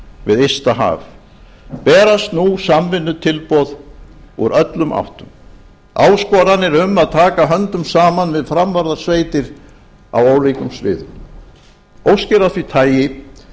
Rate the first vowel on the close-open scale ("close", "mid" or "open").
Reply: close